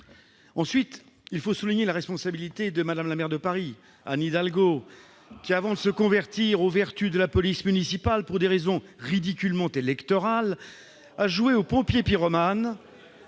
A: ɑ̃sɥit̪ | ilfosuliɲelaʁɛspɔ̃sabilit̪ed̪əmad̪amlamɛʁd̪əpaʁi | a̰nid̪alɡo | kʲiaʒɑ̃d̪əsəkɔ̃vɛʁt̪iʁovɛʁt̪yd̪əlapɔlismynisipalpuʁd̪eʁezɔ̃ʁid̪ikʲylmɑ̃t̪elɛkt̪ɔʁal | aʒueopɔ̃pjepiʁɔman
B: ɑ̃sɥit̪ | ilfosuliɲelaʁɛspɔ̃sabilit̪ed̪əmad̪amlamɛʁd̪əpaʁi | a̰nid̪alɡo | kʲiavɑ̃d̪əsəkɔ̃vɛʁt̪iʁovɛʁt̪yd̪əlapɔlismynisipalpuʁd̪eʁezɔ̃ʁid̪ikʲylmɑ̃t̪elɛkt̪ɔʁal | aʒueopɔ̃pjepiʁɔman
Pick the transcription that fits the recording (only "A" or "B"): B